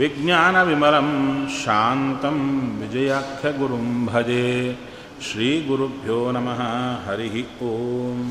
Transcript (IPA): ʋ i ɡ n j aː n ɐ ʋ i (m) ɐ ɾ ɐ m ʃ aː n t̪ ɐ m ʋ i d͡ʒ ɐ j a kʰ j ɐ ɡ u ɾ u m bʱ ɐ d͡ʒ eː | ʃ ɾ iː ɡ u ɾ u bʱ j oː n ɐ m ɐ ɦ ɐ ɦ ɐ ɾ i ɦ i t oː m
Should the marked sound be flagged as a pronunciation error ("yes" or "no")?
no